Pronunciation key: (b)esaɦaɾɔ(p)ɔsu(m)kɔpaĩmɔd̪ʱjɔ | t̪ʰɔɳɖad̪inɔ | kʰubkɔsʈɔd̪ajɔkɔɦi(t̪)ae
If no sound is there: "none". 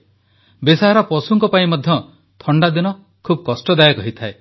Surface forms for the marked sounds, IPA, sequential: b, p, ŋ, t̪ʰ

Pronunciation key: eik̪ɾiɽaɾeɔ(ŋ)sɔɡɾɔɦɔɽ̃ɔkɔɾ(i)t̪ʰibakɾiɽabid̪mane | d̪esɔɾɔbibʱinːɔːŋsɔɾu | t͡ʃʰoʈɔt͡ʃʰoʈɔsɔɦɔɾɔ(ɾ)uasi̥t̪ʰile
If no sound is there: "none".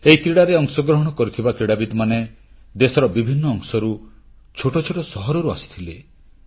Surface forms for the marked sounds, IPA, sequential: ŋ, i, ɾ

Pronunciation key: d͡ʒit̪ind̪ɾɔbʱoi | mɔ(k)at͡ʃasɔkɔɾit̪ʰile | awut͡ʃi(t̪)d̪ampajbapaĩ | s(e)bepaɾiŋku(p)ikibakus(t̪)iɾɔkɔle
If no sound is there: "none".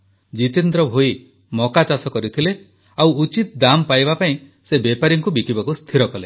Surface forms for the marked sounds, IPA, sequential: k, t̪, e, b, t̪ʰ

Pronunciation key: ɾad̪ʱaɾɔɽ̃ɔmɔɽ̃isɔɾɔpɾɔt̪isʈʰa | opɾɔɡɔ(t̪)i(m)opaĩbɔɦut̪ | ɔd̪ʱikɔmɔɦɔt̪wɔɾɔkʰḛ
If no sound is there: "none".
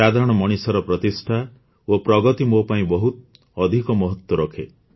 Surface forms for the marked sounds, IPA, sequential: t̪, m

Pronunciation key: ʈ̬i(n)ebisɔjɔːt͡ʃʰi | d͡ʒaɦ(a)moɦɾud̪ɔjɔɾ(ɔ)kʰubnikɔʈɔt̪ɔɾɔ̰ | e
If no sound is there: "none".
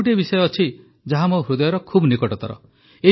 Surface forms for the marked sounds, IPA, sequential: none, a, ɔ

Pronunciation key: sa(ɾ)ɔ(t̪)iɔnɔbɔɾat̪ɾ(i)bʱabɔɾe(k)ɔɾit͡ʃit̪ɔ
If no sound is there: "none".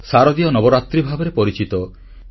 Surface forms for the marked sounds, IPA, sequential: ɾ, d̪, i, p

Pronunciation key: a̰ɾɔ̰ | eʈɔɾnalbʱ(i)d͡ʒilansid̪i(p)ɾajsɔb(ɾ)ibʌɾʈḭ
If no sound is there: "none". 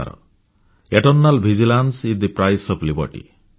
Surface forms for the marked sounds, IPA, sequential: i, p, l

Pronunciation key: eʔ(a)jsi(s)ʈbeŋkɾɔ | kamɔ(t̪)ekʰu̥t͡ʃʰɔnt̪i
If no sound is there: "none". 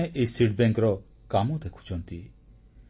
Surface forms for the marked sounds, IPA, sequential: e, none, d̪

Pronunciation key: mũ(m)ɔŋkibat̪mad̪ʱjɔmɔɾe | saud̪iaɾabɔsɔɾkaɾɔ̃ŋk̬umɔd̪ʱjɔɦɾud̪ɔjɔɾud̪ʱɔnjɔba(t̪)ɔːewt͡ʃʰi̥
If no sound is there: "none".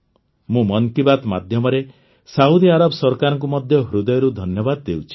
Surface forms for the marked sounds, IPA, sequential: m, d̪

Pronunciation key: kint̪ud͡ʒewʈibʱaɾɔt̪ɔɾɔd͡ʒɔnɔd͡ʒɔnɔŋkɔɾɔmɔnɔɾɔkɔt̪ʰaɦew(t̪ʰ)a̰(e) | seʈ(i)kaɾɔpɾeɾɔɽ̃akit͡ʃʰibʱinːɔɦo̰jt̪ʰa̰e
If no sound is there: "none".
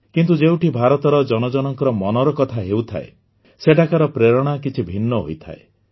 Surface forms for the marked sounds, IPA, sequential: t̪ʰ, e, a

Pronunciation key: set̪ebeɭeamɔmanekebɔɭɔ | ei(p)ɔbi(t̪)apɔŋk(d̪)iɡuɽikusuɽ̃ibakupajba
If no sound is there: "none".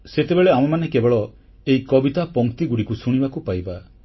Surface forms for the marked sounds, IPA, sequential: k, t̪, t̪

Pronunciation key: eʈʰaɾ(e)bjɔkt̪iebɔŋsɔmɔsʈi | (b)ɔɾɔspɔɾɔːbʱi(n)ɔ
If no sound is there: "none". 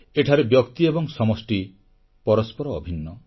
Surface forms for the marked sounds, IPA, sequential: e, p, nː

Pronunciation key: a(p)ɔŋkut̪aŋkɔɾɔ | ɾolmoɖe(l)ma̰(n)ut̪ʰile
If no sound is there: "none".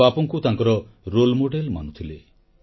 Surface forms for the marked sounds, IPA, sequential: p, l, n

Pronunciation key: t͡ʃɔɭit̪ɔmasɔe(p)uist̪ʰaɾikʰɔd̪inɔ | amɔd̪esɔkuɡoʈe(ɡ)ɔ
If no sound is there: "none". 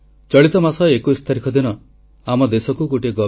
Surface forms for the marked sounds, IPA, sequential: k, ɡ

